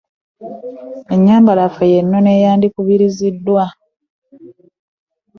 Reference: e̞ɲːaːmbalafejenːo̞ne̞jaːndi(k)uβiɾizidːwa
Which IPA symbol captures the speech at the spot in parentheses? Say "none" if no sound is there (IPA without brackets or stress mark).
k